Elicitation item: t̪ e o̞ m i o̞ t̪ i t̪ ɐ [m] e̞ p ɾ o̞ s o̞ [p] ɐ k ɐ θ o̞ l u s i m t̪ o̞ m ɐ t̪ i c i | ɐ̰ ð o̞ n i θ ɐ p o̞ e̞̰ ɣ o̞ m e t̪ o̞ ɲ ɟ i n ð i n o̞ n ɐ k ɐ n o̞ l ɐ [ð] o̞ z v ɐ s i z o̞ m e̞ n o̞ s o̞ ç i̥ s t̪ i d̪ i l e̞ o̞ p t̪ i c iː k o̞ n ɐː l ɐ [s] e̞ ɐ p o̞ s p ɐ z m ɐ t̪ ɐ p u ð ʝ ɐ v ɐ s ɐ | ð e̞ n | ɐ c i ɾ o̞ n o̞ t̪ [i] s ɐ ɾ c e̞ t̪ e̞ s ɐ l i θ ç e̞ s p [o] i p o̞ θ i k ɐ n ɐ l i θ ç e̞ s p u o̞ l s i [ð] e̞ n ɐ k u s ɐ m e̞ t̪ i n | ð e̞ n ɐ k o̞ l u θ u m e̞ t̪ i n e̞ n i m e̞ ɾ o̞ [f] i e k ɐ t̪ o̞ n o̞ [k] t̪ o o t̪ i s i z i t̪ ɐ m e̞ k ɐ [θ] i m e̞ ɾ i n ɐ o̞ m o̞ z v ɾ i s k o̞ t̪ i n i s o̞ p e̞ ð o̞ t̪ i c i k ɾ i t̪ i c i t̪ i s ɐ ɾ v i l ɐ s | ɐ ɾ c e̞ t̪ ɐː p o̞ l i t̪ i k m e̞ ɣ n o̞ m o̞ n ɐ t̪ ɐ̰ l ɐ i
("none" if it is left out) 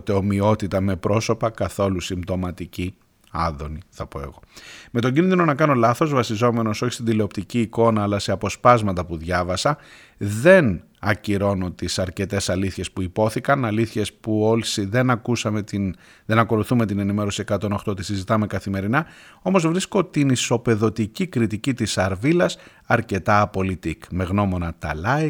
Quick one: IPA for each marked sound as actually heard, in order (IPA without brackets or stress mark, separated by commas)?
m, p, θ, s, i, u, ð, s, x, θ